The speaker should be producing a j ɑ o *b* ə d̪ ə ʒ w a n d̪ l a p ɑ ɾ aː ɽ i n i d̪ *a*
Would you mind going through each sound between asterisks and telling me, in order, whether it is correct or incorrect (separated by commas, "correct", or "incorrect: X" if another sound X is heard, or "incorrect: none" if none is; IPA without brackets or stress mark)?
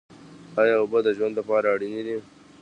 correct, incorrect: i